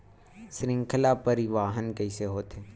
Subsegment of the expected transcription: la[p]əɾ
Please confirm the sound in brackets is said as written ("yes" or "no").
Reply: yes